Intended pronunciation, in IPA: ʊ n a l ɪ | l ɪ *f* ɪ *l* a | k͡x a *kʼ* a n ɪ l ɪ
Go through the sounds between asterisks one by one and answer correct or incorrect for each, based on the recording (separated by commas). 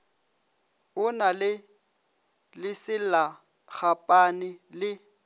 incorrect, correct, incorrect